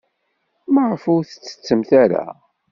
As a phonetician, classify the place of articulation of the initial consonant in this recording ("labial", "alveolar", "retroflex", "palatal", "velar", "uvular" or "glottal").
labial